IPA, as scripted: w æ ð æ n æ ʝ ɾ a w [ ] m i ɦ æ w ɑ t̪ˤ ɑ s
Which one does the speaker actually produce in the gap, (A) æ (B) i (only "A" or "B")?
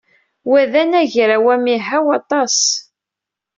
A